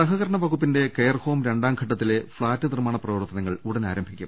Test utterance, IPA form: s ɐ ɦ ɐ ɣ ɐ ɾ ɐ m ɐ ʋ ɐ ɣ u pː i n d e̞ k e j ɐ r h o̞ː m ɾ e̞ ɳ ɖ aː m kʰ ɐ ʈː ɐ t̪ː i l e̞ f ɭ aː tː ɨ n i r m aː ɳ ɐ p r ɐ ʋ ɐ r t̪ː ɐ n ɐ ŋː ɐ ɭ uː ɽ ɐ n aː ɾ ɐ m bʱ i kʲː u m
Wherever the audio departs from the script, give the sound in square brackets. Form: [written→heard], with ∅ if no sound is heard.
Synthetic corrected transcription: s ɐ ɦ ɐ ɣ ɐ ɾ ɐ [m→ɳ] ɐ ʋ ɐ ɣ u pː i n d e̞ k e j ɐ r h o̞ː m ɾ e̞ ɳ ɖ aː m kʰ ɐ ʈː ɐ t̪ː i l e̞ f ɭ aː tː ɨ n i r m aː ɳ ɐ p r ɐ ʋ ɐ r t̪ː ɐ n ɐ ŋː ɐ ɭ [uː→u] ɽ ɐ n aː ɾ ɐ m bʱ i kʲː u m